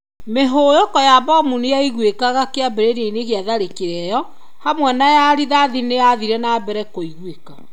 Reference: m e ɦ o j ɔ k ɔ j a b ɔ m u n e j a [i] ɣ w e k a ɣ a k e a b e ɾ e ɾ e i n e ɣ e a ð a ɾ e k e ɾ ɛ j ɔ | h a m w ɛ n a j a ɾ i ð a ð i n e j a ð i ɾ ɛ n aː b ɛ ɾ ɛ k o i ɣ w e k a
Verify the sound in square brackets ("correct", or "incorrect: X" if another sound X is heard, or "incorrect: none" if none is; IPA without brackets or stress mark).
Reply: correct